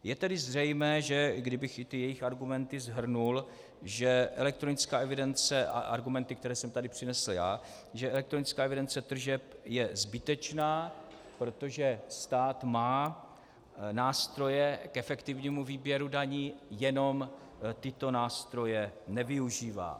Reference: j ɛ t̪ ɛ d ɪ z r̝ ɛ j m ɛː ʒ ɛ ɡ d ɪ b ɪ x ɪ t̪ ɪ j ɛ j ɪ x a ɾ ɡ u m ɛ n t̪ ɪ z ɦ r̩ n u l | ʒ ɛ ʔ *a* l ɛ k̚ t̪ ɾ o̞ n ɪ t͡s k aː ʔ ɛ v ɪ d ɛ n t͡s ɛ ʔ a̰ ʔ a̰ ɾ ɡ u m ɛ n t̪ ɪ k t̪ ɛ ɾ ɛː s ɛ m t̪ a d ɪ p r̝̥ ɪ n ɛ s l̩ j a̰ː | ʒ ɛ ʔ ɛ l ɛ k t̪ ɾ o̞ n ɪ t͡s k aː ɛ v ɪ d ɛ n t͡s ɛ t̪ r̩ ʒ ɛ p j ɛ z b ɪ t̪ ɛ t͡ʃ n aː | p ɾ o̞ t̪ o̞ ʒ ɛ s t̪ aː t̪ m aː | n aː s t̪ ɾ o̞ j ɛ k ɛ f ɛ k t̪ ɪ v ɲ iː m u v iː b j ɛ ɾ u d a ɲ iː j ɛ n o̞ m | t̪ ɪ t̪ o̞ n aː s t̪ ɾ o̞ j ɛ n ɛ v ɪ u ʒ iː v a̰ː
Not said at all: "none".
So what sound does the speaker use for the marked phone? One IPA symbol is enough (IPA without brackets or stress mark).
ɛ